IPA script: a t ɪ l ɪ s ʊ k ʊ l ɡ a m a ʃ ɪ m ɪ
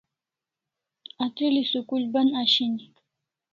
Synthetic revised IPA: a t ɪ l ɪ s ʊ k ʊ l b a n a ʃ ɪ n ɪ